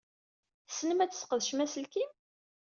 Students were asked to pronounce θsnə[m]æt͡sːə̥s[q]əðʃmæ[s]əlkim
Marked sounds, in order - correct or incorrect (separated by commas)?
correct, correct, correct